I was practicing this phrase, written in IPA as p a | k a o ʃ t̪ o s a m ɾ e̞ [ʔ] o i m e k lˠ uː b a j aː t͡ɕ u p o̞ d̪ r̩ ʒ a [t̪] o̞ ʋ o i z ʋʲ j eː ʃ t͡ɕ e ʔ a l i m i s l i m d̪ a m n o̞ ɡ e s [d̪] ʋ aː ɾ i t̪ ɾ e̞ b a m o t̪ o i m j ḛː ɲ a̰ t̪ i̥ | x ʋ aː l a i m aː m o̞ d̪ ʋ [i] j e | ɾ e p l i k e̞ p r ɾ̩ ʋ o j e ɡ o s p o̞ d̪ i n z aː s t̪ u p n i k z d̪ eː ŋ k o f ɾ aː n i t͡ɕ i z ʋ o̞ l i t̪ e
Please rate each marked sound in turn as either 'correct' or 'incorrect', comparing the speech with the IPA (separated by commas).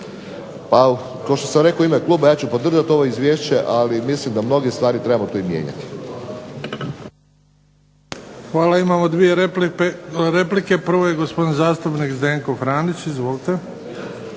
incorrect, correct, incorrect, correct